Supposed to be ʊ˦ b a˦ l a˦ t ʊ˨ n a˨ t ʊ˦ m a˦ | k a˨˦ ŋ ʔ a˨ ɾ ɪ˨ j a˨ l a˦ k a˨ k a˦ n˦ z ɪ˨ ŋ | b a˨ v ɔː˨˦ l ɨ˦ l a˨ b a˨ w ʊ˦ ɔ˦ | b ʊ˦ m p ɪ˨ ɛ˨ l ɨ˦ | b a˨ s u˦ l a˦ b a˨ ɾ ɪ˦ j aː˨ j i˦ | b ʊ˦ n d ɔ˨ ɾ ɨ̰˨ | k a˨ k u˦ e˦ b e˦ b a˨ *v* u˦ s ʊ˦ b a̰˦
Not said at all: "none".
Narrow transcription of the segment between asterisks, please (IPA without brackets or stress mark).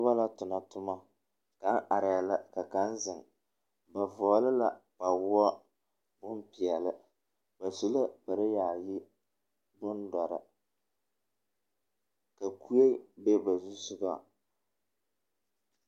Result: z